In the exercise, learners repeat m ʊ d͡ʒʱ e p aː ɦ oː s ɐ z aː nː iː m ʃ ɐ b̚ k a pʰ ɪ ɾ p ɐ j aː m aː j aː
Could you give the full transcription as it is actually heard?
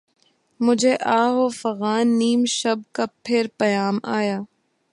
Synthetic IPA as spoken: m ʊ d͡ʒʱ e ʔ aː ɦ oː f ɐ ɣ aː nː iː m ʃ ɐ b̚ k a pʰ ɪ ɾ p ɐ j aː m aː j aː